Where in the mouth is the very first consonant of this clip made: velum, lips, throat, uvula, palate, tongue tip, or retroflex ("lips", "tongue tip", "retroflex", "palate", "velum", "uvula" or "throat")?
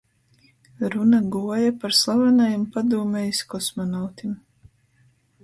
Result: tongue tip